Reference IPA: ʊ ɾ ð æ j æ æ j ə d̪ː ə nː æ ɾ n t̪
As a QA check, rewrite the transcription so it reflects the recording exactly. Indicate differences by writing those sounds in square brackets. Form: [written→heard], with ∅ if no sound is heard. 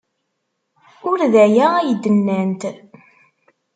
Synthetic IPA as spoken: ʊ ɾ ð æ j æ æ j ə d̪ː ə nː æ [ɾ→∅] n t̪